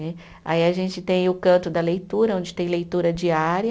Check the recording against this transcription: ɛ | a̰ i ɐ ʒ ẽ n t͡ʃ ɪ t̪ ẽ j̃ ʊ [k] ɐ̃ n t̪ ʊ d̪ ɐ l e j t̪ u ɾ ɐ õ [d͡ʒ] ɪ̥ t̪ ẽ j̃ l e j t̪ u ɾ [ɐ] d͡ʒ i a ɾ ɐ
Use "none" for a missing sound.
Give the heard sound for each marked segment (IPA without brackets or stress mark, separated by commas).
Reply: k, d͡ʒ, ɐ